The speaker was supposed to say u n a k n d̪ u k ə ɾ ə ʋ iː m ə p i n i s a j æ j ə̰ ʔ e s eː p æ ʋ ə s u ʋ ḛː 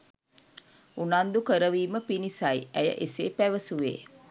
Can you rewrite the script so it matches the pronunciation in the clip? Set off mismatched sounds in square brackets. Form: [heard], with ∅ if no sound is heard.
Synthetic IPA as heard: u n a [∅] n d̪ u k ə ɾ ə ʋ iː m ə p i n i s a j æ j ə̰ ʔ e s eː p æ ʋ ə s u ʋ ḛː